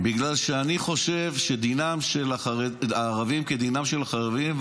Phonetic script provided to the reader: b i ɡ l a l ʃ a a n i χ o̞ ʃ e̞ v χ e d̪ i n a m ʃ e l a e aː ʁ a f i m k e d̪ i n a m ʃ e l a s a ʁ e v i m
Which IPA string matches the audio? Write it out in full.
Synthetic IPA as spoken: b i ɡ l a l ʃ e a n i χ o̞ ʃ e̞ v ʃ e d̪ i n a m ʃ e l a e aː ʁ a v i m k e d̪ i n a m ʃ e l a χ a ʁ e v i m